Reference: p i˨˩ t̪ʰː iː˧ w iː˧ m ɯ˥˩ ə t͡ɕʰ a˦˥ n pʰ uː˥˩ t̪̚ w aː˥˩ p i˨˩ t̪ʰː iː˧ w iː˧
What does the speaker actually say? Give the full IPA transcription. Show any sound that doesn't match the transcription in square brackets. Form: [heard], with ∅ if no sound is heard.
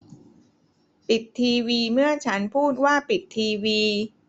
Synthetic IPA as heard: p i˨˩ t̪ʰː iː˧ w iː˧ m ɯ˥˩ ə t͡ɕʰ a˦˥ n pʰ uː˥˩ t̪̚ w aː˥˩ p i˨˩ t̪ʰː iː˧ w iː˧